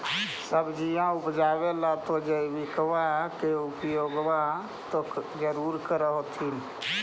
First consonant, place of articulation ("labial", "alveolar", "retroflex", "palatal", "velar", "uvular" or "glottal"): alveolar